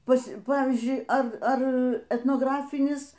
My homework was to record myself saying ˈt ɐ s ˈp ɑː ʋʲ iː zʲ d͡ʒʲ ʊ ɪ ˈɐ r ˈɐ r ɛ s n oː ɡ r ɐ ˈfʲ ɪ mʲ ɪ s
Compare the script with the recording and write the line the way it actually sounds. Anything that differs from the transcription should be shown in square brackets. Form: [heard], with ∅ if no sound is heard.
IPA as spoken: [ˈp] ɐ s ˈp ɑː ʋʲ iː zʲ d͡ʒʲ ʊ ɪ ˈɐ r ˈɐ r ɛ [t] n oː ɡ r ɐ ˈfʲ ɪ [nʲ] ɪ s

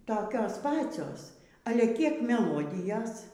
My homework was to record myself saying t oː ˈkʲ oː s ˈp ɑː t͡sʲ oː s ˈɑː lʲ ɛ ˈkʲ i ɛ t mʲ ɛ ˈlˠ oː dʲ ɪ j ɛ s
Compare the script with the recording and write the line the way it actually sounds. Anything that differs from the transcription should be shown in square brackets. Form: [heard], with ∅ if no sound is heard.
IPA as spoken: t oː ˈkʲ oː s ˈp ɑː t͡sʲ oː s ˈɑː lʲ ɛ ˈkʲ i ɛ [k] mʲ ɛ ˈlˠ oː dʲ ɪ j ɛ s

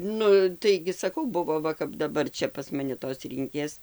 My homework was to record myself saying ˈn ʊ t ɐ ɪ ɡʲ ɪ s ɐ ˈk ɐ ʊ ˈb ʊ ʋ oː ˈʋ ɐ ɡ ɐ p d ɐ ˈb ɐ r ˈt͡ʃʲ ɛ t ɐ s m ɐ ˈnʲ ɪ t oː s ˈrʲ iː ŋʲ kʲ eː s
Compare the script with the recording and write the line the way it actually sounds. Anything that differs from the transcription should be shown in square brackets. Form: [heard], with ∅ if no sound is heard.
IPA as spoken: ˈn ʊ t ɐ ɪ ɡʲ ɪ s ɐ ˈk ɐ ʊ ˈb ʊ ʋ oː ˈʋ ɐ [k] ɐ p d ɐ ˈb ɐ r ˈt͡ʃʲ ɛ [p] ɐ s m ɐ ˈnʲ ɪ t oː s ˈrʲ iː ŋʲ kʲ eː s

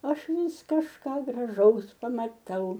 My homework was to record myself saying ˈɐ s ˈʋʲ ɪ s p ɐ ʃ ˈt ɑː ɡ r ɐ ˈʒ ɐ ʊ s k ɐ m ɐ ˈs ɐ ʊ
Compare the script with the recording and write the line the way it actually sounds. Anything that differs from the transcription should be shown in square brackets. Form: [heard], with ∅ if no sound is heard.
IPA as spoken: ˈɐ [ʃ] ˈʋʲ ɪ s [k] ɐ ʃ [ˈk] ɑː ɡ r ɐ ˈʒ ɐ ʊ s [p] ɐ m ɐ [ˈt] ɐ ʊ

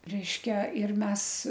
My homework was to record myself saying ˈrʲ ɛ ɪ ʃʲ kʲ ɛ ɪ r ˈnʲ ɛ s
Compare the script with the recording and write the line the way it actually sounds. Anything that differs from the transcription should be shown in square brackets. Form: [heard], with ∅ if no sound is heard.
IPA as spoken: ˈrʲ ɛ ɪ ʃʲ kʲ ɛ ɪ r [ˈmʲ] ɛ s

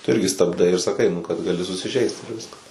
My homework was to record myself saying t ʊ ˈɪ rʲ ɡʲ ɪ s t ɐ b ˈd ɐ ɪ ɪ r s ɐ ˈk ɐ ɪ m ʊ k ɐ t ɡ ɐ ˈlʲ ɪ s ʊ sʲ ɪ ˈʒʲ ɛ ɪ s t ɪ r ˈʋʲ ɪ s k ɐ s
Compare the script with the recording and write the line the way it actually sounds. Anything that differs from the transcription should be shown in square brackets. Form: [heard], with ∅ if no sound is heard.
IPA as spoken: t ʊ ˈɪ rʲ ɡʲ ɪ s t ɐ b ˈd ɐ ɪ ɪ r s ɐ ˈk ɐ ɪ [n] ʊ k ɐ t ɡ ɐ ˈlʲ ɪ s ʊ sʲ ɪ ˈʒʲ ɛ ɪ s t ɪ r ˈʋʲ ɪ s k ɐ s

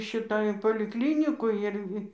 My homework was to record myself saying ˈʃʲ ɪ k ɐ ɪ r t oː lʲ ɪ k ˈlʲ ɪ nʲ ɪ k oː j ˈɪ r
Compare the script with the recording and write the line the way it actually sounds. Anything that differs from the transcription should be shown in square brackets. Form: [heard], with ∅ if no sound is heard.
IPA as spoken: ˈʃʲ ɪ [t] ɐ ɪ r [p] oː lʲ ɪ k ˈlʲ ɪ nʲ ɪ k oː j ˈɪ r

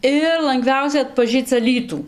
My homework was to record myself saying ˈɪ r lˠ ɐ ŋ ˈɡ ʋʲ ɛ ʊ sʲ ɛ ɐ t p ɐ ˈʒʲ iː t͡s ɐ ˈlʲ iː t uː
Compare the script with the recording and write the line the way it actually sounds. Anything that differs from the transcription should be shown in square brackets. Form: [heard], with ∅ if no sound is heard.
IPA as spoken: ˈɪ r lˠ ɐ ŋ ˈɡ ʋʲ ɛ ʊ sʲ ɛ ɐ t p ɐ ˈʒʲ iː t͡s ɐ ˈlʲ iː t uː

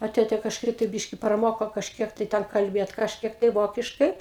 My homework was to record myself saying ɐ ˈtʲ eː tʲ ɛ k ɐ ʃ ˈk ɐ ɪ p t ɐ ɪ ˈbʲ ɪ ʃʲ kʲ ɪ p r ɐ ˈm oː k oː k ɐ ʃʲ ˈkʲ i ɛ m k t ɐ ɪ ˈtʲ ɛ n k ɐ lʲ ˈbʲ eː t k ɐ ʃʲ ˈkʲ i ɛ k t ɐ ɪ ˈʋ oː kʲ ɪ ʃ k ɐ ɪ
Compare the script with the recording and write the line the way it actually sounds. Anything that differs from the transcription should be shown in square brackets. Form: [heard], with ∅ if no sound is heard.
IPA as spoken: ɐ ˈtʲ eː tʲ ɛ k ɐ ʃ ˈk ɐ ɪ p t ɐ ɪ ˈbʲ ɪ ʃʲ kʲ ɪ p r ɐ ˈm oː k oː k ɐ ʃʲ ˈkʲ i ɛ [∅] k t ɐ ɪ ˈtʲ ɛ n k ɐ lʲ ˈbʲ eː t k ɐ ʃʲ ˈkʲ i ɛ k t ɐ ɪ ˈʋ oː kʲ ɪ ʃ k ɐ ɪ

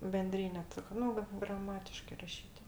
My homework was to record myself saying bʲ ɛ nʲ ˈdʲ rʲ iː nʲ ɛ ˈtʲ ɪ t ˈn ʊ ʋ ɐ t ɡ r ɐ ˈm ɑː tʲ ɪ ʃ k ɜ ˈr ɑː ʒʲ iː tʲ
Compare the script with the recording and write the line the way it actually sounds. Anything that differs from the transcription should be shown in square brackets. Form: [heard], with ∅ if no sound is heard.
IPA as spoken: bʲ ɛ nʲ ˈdʲ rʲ iː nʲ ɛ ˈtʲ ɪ [k] ˈn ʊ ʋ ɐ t ɡ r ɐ ˈm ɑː tʲ ɪ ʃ k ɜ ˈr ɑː [ʃʲ] iː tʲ

